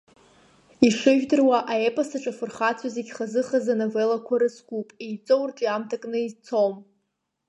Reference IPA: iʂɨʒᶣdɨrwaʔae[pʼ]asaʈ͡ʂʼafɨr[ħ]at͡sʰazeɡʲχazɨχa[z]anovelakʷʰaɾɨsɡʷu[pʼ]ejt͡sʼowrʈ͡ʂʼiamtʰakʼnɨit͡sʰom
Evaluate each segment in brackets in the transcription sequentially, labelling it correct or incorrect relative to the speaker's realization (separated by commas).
correct, incorrect, correct, correct